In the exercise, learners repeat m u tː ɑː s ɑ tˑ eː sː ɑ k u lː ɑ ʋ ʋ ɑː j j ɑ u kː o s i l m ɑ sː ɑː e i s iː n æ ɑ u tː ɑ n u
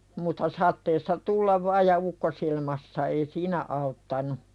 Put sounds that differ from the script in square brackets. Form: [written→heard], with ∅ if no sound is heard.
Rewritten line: m u tː [ɑː→ɑ] s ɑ tˑ eː sː ɑ [k→t] u lː ɑ ʋ ʋ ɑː j j ɑ u kː o s i l m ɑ sː [ɑː→ɑ] e i s iː n æ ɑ u tː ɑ n u